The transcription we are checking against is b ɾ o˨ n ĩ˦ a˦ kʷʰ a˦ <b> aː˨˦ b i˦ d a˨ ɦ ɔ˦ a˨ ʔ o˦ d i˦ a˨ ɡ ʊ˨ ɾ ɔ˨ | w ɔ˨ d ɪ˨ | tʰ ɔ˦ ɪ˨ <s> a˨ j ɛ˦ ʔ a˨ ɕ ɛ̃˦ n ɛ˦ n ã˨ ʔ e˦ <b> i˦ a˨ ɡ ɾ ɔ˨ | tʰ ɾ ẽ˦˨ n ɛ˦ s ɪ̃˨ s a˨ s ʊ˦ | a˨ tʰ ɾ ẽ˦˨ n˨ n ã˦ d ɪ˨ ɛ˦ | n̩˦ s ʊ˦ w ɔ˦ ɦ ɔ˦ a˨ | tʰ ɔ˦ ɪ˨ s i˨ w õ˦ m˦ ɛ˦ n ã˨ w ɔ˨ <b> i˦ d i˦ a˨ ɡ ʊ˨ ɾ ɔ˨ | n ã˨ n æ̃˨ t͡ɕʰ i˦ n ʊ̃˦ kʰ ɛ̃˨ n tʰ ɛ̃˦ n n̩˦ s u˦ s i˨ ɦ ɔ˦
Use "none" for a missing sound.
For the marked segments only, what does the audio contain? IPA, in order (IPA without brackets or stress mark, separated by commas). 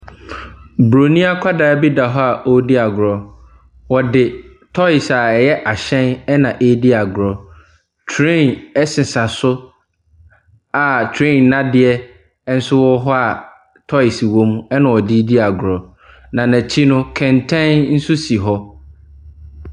d, s, d, d